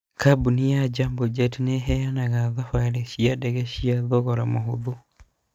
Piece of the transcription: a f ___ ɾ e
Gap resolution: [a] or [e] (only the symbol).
a